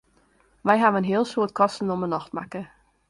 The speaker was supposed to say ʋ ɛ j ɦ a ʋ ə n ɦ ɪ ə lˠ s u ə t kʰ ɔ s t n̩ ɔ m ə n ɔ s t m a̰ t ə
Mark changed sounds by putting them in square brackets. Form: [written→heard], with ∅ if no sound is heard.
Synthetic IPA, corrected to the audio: ʋ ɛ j ɦ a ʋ ə n ɦ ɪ ə lˠ s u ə t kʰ ɔ s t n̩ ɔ m ə n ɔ [s→x] t m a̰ [t→k] ə